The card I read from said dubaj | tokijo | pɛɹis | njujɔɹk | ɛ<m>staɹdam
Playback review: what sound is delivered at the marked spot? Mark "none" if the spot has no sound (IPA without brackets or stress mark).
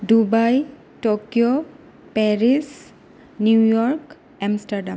m